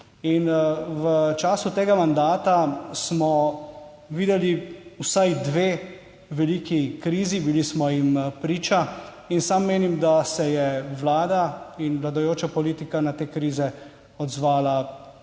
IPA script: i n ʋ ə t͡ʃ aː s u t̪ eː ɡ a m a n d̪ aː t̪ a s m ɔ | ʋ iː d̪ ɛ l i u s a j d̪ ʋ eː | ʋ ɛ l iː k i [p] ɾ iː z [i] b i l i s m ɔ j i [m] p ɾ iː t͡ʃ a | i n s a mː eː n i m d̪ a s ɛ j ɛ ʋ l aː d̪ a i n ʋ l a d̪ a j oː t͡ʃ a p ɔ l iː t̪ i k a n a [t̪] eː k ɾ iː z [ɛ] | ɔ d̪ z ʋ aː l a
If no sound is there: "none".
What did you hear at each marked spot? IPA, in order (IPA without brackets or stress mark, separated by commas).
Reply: k, i, m, t̪, ɛ